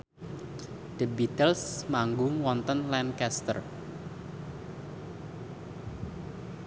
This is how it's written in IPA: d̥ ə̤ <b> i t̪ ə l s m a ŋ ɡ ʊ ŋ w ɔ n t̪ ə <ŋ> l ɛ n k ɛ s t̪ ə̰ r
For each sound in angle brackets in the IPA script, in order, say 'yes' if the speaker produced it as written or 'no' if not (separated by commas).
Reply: yes, no